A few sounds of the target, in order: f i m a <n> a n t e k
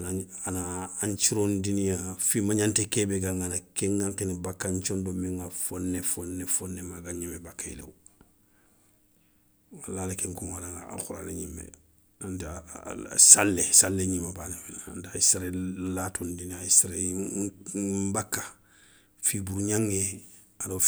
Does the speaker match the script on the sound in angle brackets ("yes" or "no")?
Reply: no